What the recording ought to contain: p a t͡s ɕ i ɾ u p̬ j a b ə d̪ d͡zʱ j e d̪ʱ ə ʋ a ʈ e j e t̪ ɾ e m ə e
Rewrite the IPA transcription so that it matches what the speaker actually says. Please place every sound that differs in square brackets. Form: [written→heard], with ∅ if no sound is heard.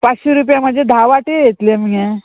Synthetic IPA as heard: p a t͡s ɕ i ɾ u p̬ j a [b→m] ə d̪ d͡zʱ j e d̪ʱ [ə→a] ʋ a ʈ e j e t̪ [ɾ→l] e m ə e

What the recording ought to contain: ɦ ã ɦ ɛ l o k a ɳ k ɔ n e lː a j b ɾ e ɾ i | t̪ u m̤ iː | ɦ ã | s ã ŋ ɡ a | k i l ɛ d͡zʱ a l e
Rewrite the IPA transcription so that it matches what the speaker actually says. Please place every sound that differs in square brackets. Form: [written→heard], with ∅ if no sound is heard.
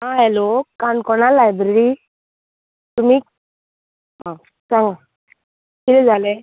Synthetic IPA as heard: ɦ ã ɦ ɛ l o k a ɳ k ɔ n [e→a] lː a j b ɾ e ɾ i | t̪ u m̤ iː | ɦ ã | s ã ŋ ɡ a | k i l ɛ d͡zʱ a l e

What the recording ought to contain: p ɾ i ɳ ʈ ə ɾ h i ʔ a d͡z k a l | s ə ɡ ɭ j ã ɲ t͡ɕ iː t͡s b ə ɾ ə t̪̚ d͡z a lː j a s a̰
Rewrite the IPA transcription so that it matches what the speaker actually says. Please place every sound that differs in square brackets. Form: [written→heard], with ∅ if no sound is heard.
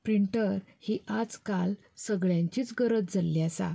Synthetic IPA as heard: p ɾ i ɳ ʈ ə ɾ h i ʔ a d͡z k a l | s ə ɡ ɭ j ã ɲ t͡ɕ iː t͡s [b→ɡ] ə ɾ ə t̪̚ d͡z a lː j a s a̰

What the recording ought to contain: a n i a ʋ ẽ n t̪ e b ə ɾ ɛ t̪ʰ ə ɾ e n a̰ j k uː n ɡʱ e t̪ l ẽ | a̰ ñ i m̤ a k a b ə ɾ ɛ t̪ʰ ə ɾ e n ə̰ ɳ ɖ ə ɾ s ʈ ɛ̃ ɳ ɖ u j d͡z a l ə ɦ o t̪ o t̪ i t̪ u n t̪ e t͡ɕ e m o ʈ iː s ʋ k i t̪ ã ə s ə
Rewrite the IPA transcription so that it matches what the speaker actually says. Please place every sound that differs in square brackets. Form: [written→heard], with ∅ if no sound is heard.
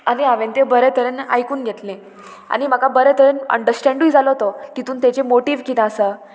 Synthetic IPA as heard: a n i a ʋ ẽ n t̪ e b ə ɾ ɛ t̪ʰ ə ɾ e n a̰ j k uː n ɡʱ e t̪ l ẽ | a̰ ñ i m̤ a k a b ə ɾ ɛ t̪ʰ ə ɾ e n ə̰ ɳ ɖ ə ɾ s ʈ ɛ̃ ɳ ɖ u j d͡z a l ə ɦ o t̪ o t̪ i t̪ [u→uː] n t̪ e t͡ɕ e m o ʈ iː [s→∅] ʋ k i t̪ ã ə s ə

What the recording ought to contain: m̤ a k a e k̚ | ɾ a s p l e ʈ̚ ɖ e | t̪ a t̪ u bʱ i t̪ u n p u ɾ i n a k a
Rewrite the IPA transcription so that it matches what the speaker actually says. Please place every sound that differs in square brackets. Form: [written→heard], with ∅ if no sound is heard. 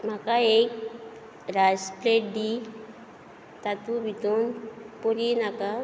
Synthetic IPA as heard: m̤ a k a e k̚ | ɾ a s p l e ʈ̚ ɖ [e→i] | t̪ a t̪ u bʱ i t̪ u n p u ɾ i n a k a

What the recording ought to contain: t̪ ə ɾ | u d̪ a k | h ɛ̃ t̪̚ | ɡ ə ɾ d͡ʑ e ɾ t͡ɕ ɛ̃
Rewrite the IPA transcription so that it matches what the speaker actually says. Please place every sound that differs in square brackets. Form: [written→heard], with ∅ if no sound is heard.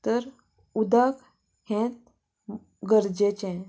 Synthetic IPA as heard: t̪ ə ɾ | u d̪ a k | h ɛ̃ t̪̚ | ɡ ə ɾ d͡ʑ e [ɾ→∅] t͡ɕ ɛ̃

